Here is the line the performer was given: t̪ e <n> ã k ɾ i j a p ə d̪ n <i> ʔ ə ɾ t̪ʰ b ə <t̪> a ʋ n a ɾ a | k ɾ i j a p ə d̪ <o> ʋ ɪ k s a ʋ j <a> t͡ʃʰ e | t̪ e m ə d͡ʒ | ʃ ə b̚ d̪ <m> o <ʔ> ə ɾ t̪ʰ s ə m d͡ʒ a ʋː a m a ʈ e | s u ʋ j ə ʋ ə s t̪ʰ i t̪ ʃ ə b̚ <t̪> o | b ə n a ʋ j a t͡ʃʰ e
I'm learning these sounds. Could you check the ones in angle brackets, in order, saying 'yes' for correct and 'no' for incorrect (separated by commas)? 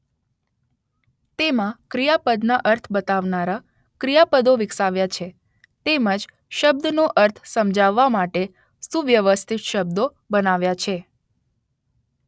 no, no, yes, yes, yes, no, yes, no